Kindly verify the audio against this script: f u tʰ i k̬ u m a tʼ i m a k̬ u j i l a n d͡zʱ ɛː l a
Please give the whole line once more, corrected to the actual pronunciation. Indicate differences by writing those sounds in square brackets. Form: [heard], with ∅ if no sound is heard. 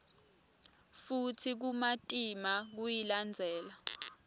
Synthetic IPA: f u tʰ i k̬ u m a tʼ i m a k̬ u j i l a n d͡zʱ ɛː l a